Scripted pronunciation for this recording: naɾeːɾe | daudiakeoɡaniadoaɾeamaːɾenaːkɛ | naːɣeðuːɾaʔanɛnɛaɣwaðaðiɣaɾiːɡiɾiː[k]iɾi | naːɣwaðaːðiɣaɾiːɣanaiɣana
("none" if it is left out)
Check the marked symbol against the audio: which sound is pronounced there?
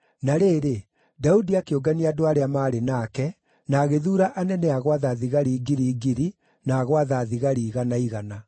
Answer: ɡ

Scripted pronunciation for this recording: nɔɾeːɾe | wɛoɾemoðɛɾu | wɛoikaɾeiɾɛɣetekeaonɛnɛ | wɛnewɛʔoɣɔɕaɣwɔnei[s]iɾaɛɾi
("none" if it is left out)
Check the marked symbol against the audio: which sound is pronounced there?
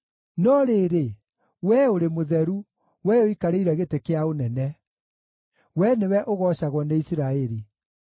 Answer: s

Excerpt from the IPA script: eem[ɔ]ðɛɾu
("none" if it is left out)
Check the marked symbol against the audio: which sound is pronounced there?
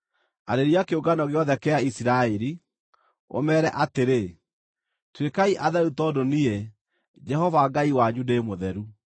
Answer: o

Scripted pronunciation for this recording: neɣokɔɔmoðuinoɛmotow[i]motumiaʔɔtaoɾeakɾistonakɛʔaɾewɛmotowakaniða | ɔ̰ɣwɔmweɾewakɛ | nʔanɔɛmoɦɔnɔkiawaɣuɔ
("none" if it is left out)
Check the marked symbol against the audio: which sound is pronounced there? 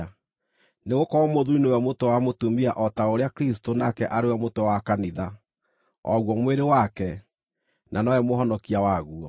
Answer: a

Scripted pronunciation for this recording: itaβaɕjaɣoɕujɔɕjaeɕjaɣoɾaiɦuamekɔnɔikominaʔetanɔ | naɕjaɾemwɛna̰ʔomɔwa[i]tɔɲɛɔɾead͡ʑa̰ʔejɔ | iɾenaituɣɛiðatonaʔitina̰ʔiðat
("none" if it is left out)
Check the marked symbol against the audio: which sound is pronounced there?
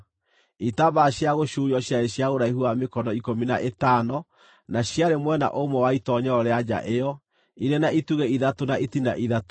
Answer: i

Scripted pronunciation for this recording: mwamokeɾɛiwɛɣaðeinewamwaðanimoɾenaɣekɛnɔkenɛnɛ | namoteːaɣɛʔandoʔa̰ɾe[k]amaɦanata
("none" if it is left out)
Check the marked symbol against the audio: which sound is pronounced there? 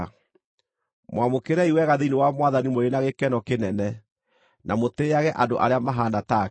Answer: none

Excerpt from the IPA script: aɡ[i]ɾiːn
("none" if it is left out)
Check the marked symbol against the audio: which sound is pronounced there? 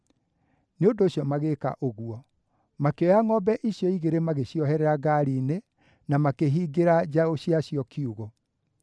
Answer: a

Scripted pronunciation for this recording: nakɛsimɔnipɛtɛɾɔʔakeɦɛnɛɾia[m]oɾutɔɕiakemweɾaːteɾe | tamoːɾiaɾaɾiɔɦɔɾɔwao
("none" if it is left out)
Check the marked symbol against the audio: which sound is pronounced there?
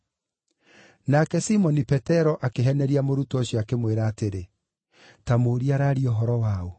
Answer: m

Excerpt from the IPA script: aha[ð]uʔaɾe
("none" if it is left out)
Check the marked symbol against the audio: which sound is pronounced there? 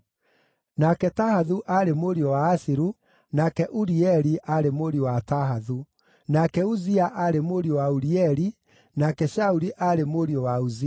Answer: ð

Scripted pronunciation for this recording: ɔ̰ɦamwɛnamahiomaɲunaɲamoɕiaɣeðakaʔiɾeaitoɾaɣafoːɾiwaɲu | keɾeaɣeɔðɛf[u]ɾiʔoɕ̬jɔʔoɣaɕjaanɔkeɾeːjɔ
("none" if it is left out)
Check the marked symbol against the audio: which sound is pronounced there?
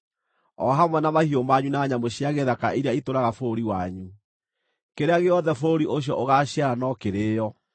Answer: o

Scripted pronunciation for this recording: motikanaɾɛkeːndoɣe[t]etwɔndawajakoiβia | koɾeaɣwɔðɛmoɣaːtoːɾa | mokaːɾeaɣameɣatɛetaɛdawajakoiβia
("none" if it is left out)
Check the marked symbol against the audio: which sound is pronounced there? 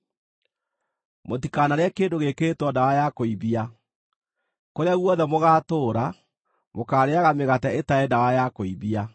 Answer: k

